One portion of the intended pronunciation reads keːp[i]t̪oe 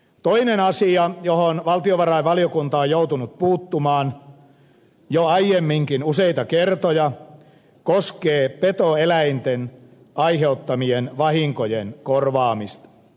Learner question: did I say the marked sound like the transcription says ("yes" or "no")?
no